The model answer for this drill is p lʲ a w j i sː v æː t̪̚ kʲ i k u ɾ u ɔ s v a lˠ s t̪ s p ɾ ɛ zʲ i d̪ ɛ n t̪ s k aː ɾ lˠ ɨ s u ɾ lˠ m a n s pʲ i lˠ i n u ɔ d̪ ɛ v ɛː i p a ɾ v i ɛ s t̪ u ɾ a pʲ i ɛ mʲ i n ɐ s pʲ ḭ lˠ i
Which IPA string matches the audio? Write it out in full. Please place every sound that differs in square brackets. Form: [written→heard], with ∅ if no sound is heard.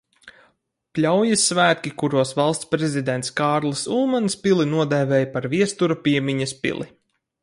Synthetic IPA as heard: p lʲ a w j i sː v æː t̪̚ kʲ i k u ɾ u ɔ s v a lˠ s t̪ s p ɾ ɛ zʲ i d̪ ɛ n t̪ s k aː ɾ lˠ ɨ s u [ɾ→∅] lˠ m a n s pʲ i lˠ i n u ɔ d̪ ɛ v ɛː [i→j] p a ɾ v i ɛ s t̪ u ɾ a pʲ i ɛ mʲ i [n→ɲ] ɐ s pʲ ḭ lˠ i